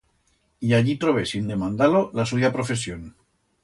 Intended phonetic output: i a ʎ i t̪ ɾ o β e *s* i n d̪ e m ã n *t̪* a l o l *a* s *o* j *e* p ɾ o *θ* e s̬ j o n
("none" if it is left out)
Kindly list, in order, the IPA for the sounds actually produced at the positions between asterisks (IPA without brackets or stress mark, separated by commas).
s, d̪, a, u, a, f